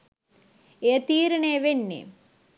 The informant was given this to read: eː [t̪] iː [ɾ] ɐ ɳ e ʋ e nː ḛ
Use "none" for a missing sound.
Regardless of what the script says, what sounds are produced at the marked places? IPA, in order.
t̪, ɾ

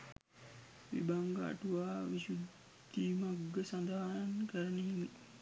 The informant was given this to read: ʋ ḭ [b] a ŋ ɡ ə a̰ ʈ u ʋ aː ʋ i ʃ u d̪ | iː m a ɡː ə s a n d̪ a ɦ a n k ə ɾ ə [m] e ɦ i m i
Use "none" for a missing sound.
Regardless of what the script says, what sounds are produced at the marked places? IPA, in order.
b, n

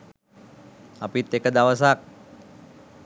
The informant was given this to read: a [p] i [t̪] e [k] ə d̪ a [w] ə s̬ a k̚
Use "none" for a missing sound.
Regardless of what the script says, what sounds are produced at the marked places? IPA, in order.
p, t̪, k, w

